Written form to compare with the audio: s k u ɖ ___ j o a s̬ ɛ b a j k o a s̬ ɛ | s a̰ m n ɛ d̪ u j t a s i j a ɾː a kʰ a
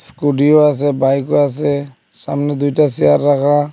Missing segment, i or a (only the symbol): i